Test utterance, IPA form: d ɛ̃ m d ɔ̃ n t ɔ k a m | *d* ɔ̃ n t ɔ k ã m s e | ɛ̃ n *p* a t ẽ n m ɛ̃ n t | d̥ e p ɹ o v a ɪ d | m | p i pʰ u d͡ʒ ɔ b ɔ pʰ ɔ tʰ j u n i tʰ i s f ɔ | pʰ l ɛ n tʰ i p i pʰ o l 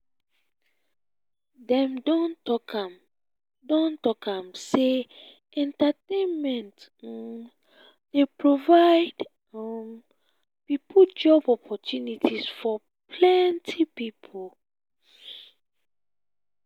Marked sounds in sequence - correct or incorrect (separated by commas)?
correct, incorrect